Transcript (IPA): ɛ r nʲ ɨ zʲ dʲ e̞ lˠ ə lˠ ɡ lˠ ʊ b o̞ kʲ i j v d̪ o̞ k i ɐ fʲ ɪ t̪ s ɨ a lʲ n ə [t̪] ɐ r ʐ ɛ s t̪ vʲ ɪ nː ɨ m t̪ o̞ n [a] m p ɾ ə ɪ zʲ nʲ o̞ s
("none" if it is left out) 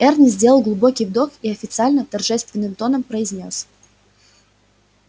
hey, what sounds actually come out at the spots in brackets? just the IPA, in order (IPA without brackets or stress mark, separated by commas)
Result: t̪, ə